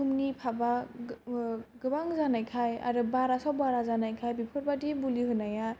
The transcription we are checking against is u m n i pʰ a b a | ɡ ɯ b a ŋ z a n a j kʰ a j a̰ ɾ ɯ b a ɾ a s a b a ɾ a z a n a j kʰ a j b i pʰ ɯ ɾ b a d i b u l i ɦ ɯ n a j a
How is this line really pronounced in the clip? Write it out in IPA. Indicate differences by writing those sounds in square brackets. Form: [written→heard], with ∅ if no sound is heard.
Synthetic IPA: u m n i pʰ a b a | ɡ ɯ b a ŋ z a n a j kʰ a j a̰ ɾ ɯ b a ɾ a s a b a ɾ a z a n a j kʰ a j b i pʰ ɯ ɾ b a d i b u l i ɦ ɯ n a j a

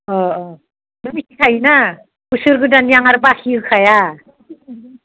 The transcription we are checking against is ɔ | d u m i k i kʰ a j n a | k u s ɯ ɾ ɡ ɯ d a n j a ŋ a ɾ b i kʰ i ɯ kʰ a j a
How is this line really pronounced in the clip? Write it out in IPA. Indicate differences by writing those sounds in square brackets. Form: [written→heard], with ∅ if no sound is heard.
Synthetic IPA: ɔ | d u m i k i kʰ a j n a | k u s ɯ ɾ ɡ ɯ d a n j a ŋ a ɾ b [i→a] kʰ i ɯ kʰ a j a

